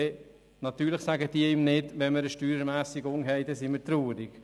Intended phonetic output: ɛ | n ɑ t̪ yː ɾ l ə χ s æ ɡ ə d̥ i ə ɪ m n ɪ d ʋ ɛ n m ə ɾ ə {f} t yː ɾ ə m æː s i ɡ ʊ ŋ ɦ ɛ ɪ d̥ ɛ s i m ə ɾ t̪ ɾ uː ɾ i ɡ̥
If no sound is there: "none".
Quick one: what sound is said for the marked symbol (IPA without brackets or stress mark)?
ʃ